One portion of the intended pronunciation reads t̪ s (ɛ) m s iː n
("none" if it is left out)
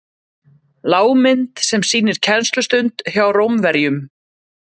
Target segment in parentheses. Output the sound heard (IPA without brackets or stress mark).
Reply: ɛ